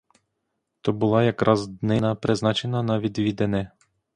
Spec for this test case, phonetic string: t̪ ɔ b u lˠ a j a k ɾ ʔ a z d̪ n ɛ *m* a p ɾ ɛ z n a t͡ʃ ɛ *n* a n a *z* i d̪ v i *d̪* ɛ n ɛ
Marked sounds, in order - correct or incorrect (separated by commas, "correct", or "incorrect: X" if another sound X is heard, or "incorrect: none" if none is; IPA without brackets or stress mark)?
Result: incorrect: n, correct, incorrect: v, correct